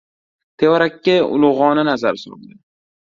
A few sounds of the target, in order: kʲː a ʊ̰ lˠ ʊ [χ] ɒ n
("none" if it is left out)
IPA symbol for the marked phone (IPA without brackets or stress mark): ʁ